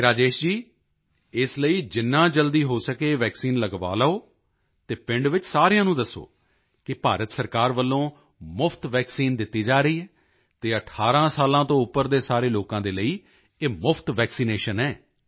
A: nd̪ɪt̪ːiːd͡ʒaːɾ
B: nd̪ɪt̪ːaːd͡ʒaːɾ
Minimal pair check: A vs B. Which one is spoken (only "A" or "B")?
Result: A